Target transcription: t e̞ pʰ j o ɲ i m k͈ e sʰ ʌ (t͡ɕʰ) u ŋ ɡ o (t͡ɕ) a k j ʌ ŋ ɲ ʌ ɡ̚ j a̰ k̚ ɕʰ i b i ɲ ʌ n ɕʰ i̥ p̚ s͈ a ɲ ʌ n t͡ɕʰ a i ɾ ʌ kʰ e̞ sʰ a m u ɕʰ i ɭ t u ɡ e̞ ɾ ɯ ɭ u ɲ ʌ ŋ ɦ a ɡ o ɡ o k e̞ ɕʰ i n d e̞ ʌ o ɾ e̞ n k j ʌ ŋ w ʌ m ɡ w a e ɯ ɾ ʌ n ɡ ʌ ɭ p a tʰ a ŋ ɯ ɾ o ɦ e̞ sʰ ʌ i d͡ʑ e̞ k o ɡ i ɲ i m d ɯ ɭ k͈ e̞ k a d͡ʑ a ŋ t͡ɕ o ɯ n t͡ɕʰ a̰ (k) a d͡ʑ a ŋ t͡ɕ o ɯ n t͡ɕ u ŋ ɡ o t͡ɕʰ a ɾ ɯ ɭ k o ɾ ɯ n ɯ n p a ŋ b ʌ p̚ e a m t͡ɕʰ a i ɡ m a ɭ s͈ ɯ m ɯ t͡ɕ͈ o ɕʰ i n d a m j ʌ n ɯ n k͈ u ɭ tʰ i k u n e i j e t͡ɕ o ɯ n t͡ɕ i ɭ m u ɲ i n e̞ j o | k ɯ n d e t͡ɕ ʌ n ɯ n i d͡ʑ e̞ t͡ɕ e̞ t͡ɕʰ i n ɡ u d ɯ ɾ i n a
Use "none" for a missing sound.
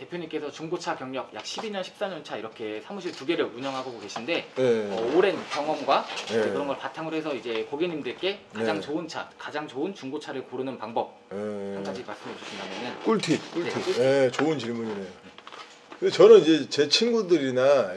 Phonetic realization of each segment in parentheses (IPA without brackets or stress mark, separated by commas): t͡ɕ, t͡ɕʰ, k